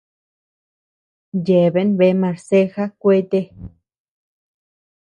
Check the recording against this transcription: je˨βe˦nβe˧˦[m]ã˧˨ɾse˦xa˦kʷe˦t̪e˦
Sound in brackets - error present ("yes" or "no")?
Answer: no